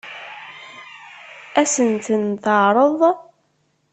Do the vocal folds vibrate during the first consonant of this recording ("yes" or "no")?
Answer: no